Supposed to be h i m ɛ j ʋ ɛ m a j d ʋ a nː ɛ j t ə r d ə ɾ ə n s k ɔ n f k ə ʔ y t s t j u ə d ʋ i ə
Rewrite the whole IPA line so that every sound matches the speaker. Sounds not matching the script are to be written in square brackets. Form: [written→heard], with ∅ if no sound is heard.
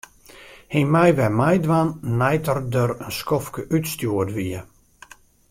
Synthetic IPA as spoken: h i m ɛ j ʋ ɛ m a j d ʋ a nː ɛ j t ə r d ə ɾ ə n s k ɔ [n→∅] f k ə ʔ y t s t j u ə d ʋ i ə